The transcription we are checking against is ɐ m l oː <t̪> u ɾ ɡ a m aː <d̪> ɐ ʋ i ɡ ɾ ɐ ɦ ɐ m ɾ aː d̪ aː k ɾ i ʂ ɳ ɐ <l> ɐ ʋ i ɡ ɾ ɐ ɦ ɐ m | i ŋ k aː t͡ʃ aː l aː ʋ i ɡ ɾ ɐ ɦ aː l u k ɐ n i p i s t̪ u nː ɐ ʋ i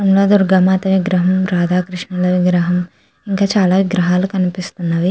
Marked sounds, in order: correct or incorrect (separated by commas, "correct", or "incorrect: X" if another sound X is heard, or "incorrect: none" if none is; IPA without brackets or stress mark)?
incorrect: d̪, incorrect: t̪, correct